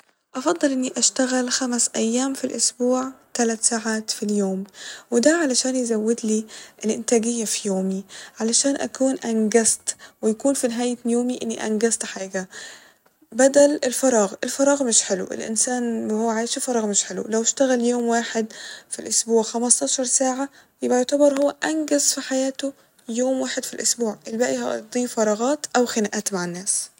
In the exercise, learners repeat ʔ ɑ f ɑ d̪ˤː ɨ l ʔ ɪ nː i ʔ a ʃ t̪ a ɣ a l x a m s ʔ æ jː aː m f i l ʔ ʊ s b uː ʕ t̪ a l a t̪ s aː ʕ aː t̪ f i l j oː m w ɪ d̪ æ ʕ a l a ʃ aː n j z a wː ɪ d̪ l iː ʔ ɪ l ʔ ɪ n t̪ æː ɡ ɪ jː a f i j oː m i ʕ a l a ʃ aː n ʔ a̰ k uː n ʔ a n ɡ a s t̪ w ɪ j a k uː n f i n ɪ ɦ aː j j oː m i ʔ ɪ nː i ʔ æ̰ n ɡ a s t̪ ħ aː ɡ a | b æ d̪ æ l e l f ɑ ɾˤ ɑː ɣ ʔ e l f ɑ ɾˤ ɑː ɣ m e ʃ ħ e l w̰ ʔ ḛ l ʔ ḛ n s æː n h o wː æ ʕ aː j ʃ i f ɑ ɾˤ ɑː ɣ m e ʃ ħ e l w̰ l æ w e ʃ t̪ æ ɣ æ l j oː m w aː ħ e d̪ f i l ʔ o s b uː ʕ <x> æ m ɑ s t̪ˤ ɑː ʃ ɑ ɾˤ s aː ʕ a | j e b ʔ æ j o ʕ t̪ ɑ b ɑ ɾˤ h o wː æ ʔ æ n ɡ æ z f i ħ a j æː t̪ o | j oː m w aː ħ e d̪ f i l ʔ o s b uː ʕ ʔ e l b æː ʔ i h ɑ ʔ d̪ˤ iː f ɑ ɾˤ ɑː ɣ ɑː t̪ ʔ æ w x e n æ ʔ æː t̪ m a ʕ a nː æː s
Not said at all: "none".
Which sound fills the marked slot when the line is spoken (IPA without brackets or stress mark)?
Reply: x